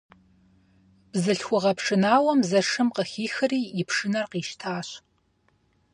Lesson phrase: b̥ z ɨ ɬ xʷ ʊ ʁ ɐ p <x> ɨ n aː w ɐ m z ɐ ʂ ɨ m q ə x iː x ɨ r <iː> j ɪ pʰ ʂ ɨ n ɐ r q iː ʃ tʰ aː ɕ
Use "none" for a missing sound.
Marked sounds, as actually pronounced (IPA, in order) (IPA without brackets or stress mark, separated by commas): ʂ, iː